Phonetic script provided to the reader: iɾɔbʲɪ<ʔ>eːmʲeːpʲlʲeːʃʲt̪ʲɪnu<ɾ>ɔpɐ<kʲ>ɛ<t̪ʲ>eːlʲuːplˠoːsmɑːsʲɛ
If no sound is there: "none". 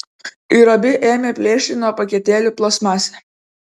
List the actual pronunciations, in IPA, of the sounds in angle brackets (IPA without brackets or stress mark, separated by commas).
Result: ʔ, none, kʲ, t̪ʲ